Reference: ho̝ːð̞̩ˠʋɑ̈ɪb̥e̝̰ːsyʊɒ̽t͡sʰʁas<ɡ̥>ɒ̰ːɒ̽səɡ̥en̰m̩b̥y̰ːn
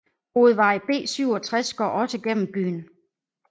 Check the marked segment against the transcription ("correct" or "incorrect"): correct